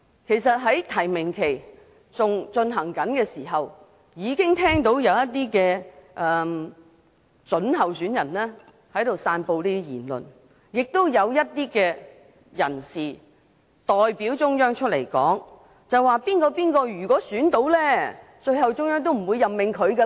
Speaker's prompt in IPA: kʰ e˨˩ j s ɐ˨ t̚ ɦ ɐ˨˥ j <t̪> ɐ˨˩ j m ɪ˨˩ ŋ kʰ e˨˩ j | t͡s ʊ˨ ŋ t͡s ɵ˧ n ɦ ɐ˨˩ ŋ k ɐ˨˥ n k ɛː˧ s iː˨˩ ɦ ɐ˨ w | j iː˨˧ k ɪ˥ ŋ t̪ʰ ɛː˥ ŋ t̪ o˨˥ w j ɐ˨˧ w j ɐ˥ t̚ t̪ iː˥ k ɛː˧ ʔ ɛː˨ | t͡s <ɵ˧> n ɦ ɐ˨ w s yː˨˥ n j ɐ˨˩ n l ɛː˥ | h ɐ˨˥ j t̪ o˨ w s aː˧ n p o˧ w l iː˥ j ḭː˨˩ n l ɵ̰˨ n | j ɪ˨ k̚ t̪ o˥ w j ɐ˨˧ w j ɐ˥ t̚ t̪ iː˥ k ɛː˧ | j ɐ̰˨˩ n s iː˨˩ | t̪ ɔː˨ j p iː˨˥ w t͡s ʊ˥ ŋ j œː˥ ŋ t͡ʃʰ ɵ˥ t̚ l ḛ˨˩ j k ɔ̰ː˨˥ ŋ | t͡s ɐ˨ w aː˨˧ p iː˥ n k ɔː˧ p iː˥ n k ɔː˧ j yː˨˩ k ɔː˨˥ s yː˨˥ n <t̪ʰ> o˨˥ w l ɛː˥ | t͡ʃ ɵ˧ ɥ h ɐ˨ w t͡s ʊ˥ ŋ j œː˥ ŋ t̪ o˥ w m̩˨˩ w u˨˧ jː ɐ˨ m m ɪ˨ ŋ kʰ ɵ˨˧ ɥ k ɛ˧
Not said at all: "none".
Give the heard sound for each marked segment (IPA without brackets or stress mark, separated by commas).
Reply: t̪ʰ, ɵ˨˥, t̪